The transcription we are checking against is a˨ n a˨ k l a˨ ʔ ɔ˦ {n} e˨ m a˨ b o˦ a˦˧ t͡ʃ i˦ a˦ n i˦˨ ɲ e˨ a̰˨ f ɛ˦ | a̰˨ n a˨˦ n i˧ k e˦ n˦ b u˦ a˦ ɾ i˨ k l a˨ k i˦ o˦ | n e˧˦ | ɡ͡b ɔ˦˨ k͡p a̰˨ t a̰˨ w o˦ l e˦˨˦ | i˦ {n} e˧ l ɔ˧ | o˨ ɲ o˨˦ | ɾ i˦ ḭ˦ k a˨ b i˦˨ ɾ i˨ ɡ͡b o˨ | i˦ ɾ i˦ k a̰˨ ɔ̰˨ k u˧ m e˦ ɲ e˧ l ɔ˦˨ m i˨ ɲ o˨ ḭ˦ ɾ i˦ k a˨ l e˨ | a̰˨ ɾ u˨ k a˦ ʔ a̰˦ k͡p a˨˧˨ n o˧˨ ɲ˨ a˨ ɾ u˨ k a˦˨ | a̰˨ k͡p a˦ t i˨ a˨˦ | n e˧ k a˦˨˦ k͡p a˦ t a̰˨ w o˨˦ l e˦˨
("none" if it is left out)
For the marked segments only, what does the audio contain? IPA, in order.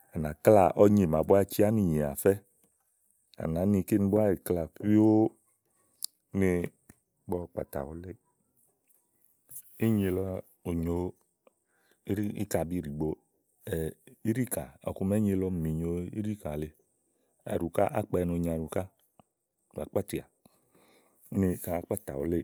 ɲ, ɲ

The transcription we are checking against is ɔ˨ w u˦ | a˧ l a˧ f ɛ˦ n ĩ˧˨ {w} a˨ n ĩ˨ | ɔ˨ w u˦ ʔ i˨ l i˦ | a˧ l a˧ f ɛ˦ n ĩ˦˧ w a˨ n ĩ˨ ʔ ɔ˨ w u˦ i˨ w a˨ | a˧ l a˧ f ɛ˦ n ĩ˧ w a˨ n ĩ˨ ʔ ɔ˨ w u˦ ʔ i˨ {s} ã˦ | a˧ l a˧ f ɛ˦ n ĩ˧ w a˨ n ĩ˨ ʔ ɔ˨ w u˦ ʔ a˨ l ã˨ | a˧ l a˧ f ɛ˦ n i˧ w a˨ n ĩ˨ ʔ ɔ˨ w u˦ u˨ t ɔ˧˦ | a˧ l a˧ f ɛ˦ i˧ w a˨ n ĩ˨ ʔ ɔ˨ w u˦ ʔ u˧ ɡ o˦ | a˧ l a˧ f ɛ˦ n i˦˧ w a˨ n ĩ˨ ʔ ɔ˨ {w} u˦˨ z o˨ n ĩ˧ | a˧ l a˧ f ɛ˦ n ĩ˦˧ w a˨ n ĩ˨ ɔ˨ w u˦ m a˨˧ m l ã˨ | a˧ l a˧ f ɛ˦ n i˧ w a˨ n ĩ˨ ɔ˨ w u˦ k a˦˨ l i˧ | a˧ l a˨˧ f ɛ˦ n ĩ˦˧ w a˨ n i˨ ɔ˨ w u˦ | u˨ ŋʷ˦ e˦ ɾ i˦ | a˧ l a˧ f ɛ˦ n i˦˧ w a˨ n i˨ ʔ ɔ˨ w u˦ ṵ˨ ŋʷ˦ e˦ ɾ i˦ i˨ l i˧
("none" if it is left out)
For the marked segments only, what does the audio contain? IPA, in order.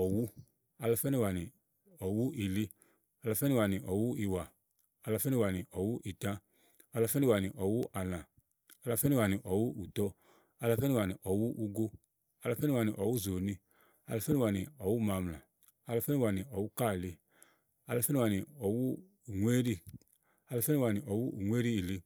w, t, w

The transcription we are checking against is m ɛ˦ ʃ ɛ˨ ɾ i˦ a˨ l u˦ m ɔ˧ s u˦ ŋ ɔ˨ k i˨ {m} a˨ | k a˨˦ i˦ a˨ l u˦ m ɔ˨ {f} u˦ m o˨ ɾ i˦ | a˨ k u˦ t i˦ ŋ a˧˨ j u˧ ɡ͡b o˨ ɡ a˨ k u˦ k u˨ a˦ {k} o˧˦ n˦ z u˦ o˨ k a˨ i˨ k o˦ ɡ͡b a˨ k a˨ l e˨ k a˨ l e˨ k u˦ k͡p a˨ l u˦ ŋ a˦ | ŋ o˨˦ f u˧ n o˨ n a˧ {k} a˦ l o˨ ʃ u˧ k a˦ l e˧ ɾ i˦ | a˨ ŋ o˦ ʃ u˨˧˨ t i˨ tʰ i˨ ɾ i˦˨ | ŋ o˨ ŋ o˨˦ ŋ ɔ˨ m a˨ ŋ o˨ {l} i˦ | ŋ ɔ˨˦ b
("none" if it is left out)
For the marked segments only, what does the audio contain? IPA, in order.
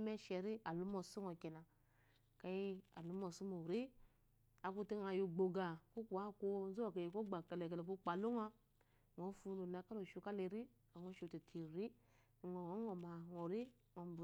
n, s, k, k, ɾ

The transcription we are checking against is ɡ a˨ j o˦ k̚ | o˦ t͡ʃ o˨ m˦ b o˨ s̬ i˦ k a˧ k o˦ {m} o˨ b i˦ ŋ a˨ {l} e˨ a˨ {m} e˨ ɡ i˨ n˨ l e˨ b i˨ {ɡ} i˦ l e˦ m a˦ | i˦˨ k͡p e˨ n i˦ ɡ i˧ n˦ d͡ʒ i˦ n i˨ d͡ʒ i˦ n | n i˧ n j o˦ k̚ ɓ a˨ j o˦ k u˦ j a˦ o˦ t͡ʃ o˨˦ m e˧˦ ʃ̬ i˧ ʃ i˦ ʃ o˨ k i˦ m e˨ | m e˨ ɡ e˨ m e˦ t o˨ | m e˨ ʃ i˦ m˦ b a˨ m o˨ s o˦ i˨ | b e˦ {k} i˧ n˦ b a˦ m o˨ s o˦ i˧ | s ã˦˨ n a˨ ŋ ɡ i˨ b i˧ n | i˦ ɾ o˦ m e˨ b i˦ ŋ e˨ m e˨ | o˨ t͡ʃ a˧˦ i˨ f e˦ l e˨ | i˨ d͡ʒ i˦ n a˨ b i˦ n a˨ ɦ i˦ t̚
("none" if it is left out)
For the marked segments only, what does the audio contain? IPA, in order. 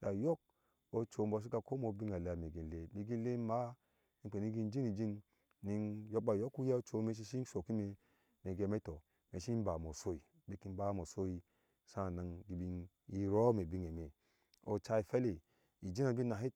m, l, m, ɡ, k

